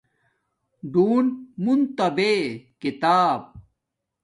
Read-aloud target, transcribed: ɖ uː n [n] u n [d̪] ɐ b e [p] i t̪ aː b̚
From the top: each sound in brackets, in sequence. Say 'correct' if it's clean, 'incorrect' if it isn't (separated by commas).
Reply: incorrect, incorrect, incorrect